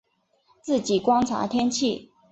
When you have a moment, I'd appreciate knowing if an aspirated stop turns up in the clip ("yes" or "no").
yes